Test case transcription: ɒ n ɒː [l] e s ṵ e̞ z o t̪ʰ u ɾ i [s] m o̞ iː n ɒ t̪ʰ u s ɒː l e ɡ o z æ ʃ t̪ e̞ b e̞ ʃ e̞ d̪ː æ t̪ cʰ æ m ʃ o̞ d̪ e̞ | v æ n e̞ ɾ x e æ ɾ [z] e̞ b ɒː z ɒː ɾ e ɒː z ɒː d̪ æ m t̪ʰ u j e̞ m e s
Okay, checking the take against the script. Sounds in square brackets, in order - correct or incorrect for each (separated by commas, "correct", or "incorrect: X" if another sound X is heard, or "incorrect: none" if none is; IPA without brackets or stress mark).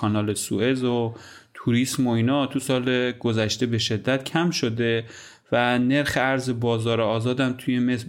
correct, correct, correct